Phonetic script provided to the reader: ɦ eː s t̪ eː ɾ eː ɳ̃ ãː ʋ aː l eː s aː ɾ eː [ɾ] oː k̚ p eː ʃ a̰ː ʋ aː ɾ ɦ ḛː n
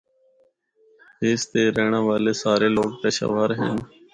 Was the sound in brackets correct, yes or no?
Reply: no